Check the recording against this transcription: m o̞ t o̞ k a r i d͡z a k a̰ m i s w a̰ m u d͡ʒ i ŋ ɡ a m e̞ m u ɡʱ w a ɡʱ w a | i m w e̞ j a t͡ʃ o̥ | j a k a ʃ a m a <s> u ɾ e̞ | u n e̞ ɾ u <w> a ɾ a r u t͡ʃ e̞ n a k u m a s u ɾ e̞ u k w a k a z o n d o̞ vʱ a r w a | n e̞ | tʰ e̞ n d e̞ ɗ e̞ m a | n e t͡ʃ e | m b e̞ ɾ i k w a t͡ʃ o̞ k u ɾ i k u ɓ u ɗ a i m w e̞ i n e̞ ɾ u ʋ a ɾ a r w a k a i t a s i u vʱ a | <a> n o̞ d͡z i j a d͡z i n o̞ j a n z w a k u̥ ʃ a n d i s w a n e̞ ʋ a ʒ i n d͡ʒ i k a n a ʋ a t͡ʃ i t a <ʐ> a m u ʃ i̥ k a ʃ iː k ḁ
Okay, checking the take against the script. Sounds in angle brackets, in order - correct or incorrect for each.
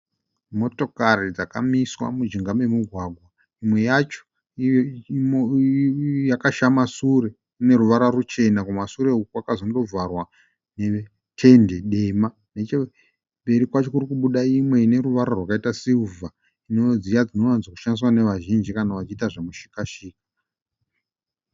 correct, incorrect, incorrect, correct

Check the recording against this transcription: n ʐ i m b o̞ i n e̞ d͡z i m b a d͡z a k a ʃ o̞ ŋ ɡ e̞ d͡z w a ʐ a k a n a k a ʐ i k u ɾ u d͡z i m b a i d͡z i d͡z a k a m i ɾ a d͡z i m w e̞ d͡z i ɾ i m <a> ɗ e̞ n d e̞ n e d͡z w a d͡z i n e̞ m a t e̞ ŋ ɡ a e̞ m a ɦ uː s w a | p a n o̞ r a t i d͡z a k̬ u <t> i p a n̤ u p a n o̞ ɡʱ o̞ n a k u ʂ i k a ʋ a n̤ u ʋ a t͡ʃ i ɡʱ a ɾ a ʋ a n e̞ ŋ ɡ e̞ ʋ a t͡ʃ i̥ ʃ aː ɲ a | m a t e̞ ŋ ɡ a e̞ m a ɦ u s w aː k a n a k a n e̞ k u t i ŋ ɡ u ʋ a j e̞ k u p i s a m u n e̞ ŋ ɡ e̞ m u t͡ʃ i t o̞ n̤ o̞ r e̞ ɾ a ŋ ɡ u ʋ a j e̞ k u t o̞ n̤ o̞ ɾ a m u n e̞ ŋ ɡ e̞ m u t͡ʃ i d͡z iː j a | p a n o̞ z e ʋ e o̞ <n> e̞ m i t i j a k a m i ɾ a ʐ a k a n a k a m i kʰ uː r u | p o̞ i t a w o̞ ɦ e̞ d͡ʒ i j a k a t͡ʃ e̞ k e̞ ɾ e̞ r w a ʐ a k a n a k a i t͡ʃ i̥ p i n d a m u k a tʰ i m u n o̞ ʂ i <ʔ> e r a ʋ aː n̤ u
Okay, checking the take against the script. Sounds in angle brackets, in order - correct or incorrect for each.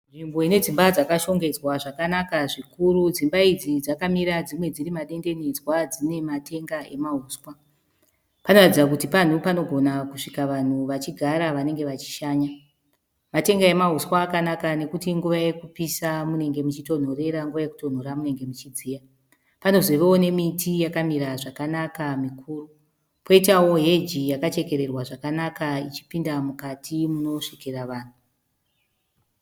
correct, correct, correct, incorrect

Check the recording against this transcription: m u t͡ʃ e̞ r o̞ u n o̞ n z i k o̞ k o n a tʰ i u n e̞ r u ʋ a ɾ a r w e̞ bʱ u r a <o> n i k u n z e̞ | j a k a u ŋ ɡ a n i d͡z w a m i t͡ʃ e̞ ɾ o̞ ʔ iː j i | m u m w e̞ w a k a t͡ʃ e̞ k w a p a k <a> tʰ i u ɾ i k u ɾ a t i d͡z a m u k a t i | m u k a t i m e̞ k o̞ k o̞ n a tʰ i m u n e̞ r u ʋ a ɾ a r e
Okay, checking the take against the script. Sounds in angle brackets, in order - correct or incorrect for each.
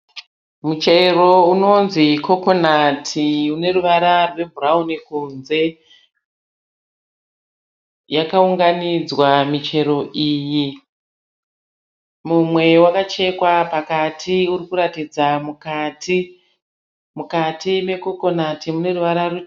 incorrect, correct

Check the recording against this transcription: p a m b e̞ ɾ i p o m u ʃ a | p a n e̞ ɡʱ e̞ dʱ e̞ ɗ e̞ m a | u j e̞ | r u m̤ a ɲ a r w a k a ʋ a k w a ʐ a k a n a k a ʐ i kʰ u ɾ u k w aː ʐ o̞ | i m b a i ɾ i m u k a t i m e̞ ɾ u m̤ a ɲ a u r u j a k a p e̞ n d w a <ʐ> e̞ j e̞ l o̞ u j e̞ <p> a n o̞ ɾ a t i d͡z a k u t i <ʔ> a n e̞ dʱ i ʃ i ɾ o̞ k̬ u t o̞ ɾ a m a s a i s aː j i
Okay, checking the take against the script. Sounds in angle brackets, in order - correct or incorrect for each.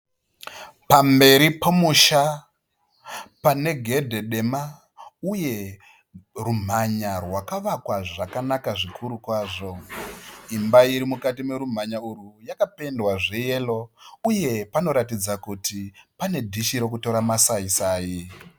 correct, correct, incorrect

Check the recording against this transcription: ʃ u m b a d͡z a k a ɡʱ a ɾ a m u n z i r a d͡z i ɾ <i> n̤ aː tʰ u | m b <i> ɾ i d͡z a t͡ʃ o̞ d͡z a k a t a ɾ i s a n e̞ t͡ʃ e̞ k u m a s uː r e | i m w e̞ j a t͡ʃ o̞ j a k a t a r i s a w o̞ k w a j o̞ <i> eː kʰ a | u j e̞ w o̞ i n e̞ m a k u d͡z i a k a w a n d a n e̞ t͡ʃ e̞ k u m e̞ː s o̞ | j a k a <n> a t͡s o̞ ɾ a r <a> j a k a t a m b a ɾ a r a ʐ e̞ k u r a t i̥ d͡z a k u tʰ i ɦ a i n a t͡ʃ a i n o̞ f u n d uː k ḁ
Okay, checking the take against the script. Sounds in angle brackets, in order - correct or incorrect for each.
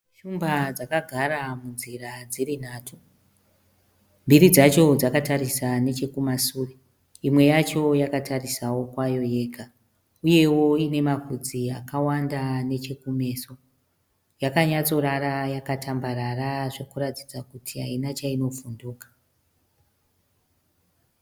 correct, correct, incorrect, incorrect, correct

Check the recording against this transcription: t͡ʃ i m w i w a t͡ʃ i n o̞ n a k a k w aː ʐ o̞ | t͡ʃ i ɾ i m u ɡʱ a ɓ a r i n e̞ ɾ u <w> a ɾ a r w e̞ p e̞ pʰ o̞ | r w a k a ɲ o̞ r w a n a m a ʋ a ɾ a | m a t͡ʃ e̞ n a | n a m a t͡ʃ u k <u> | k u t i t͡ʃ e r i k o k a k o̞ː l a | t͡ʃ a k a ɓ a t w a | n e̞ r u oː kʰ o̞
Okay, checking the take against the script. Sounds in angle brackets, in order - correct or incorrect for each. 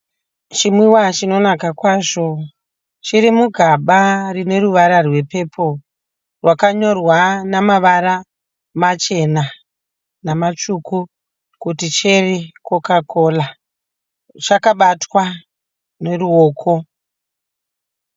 incorrect, correct

